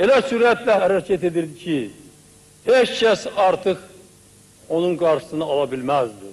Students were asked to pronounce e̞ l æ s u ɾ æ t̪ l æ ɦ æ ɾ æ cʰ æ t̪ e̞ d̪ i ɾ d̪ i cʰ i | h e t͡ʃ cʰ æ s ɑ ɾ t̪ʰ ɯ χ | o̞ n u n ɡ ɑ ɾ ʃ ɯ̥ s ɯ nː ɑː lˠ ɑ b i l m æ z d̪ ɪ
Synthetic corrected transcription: e̞ l æ s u ɾ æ t̪ l æ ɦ æ ɾ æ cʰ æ t̪ e̞ d̪ i ɾ d̪ i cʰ i | h e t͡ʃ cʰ æ s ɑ ɾ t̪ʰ ɯ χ | o̞ n u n ɡ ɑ ɾ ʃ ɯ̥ s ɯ n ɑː lˠ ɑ b i l m æ z d̪ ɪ